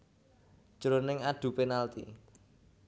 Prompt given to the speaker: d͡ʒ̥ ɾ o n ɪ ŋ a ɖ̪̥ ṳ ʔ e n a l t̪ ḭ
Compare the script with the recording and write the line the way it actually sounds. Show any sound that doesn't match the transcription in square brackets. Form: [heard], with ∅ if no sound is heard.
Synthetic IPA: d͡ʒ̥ ɾ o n ɪ ŋ a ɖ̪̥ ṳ [p] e n a l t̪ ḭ

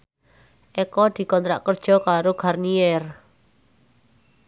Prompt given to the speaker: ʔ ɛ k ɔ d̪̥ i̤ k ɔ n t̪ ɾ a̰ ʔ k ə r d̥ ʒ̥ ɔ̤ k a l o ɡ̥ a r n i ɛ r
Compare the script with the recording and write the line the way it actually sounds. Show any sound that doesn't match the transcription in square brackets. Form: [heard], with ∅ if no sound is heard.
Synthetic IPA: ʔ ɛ k ɔ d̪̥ i̤ k ɔ n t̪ ɾ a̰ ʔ k ə r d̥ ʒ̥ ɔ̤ k a [ɾ] o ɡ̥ a r n i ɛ r

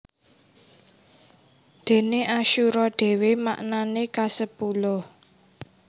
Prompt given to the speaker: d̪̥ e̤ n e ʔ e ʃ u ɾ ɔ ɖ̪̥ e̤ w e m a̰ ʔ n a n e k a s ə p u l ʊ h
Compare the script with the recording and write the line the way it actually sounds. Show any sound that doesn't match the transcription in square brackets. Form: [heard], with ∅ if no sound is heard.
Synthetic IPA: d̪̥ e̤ n e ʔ [a] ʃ u ɾ ɔ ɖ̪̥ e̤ w e m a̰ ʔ n a n e k a s ə p u l ʊ h

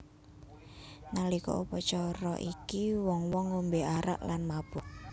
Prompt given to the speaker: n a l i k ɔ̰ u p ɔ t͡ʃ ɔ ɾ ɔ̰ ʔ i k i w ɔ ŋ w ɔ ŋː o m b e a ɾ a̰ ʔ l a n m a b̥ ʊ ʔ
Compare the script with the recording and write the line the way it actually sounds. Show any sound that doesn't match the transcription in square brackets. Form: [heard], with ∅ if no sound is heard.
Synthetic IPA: n a l i k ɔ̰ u p ɔ t͡ʃ ɔ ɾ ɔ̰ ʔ i k i w ɔ ŋ w ɔ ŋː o m b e a ɾ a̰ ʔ l a n m a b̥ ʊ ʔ

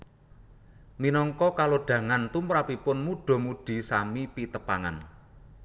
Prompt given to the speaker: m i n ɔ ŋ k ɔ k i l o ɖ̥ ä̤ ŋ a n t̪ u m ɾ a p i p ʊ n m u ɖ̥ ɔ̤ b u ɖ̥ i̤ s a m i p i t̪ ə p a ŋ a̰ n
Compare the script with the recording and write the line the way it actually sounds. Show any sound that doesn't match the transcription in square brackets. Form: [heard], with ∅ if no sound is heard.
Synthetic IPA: m i n ɔ ŋ k ɔ k [a] l o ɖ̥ ä̤ ŋ a n t̪ u m ɾ a p i p ʊ n m u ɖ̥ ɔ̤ [m] u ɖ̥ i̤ s a m i p i t̪ ə p a ŋ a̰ n

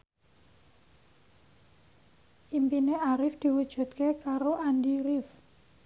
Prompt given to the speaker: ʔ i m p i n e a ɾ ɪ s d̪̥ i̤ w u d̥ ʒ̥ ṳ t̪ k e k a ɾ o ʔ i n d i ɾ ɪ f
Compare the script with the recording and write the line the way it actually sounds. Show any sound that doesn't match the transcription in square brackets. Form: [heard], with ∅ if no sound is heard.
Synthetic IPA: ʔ i m p i n e a ɾ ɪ [f] d̪̥ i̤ w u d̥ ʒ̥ ṳ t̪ k e k a ɾ o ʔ [a] n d i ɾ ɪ f

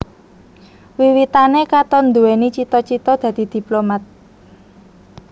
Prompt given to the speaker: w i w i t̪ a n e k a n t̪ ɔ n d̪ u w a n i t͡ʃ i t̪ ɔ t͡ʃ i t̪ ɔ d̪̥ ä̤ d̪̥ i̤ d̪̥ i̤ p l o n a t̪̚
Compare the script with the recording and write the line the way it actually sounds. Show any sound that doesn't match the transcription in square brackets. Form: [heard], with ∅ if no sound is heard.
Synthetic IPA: w i w i t̪ a n e k a [∅] t̪ ɔ n d̪ u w [e] n i t͡ʃ i t̪ ɔ t͡ʃ i t̪ ɔ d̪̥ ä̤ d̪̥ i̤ d̪̥ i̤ p l o [m] a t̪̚

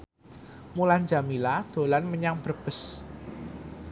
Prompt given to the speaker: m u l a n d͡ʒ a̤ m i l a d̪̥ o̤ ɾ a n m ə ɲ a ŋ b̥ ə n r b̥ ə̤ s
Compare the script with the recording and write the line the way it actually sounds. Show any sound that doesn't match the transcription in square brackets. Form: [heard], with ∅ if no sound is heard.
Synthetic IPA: m u l a n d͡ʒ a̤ m i l a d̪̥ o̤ [l] a n m ə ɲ a ŋ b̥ ə [∅] r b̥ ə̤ s

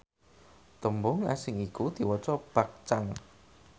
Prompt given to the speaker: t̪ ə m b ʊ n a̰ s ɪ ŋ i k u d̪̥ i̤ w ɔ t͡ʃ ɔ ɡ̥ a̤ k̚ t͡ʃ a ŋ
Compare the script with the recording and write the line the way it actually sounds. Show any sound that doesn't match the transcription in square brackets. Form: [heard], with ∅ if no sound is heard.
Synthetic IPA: t̪ ə m b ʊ [ŋ] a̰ s ɪ ŋ i k u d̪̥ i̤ w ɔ t͡ʃ ɔ [b̥] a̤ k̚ t͡ʃ a ŋ

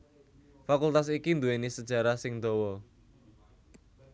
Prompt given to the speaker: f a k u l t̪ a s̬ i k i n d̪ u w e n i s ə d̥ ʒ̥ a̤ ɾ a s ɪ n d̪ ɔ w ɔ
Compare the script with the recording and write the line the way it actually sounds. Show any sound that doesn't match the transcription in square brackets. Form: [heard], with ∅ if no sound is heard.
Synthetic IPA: f a k u l t̪ a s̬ i k i n d̪ u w e n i s ə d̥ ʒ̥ a̤ ɾ a s ɪ [ŋ] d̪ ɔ w ɔ

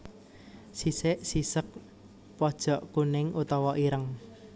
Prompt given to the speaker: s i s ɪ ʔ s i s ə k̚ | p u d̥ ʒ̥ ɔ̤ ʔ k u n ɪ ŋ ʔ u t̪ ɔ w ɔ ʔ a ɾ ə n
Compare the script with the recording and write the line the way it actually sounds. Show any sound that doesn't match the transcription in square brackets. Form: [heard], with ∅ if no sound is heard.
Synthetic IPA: s i s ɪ ʔ s i s ə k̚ | p [ɔ] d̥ ʒ̥ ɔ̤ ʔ k u n ɪ ŋ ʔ u t̪ ɔ w ɔ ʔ [i] ɾ ə [ŋ]

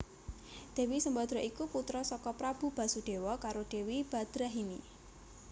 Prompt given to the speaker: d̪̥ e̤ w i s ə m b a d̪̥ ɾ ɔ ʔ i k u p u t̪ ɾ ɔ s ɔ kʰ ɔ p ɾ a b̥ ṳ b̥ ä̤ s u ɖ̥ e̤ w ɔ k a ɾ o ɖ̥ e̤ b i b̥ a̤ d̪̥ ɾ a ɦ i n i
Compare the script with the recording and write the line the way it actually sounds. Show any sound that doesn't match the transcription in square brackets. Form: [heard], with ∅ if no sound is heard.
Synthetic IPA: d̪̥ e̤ w i s ə m b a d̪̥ ɾ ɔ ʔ i k u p u t̪ ɾ ɔ s ɔ [k] ɔ p ɾ a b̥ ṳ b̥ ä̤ s u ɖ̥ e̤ w ɔ k a ɾ o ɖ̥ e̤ [w] i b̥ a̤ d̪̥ ɾ a ɦ i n i

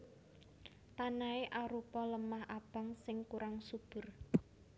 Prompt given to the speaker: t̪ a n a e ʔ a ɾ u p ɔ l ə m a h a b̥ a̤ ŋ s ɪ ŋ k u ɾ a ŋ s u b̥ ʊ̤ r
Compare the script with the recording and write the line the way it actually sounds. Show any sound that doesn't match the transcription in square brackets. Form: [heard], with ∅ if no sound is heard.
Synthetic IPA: t̪ a n a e ʔ a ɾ u p ɔ l ə m a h a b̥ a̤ ŋ s ɪ ŋ k u ɾ a ŋ s u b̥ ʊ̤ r

